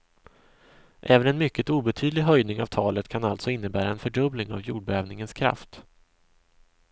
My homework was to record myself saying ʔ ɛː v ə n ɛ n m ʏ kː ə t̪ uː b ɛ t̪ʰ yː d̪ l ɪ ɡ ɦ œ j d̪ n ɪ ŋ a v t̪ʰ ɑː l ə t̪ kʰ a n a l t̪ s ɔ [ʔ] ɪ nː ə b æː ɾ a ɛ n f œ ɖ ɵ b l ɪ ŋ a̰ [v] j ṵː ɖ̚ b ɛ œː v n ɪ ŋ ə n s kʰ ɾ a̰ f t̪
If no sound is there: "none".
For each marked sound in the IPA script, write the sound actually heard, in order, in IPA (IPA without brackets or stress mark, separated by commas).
none, v